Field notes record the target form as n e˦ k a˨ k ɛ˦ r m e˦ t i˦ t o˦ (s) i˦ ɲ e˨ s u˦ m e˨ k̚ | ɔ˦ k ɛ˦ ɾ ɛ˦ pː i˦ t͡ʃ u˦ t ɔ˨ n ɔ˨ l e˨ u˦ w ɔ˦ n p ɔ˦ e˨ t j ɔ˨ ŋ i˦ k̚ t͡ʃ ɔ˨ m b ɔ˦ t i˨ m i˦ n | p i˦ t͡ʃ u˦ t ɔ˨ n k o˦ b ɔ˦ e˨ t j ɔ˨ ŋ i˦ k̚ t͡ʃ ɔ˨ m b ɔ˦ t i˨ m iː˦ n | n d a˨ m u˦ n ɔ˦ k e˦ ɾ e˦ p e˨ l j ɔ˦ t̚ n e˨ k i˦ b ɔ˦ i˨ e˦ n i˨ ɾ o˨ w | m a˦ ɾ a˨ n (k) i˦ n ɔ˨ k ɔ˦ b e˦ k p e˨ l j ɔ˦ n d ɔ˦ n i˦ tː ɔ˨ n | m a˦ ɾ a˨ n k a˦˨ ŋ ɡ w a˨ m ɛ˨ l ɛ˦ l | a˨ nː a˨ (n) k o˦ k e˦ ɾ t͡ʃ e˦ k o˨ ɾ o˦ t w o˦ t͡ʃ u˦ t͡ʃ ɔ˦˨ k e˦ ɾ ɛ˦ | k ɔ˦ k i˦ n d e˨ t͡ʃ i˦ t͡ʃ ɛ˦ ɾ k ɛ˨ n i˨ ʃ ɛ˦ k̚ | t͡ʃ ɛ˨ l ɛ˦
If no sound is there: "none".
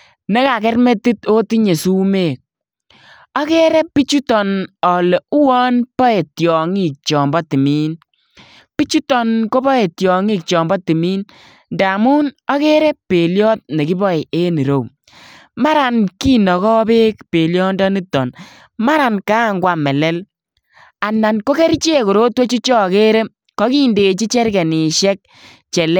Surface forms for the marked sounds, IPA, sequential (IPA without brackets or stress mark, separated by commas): t, k, n